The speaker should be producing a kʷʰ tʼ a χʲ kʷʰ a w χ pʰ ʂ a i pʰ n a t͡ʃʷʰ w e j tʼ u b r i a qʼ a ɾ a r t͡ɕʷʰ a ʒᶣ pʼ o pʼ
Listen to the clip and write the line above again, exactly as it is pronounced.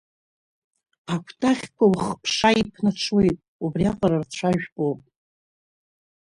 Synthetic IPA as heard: a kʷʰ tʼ a χʲ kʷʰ a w χ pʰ ʂ a i pʰ n a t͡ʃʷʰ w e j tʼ u b r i a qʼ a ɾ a r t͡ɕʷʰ a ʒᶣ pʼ o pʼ